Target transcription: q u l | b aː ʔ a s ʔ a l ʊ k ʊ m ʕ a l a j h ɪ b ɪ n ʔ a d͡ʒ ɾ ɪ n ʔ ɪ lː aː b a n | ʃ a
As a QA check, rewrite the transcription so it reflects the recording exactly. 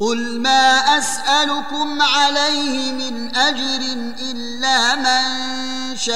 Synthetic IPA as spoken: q ʊ l | m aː ʔ a s ʔ a l ʊ k ʊ m ʕ a l a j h ɪ m ɪ n ʔ a d͡ʒ ɾ ɪ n ʔ ɪ lː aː m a n | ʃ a